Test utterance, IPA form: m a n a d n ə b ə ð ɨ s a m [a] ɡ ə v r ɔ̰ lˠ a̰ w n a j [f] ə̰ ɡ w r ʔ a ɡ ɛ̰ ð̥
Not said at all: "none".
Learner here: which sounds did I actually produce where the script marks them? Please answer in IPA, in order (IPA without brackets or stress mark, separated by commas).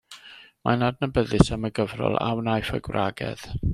ə, f